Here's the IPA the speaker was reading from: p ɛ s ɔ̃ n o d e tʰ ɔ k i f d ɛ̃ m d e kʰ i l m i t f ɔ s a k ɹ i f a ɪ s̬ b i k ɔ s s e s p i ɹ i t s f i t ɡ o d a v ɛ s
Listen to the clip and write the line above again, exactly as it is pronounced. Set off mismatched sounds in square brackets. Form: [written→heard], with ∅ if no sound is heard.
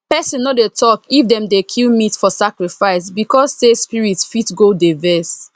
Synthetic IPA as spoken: p ɛ s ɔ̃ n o d e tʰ ɔ k i f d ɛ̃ m d e kʰ i l m i t f ɔ s a k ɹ i f a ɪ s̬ b i k ɔ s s e s p i ɹ i t s f i t ɡ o d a v ɛ s